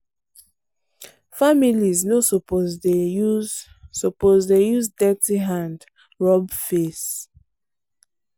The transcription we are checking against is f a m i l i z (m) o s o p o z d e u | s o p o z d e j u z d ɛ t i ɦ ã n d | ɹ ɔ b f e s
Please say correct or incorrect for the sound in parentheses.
incorrect